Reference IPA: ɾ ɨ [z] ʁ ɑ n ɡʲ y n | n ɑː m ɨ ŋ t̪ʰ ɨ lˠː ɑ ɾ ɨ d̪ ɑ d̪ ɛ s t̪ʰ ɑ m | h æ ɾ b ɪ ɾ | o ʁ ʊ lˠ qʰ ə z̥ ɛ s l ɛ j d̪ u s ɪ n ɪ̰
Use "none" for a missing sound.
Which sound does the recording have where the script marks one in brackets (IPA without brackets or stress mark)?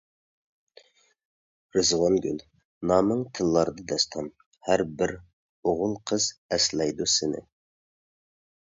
z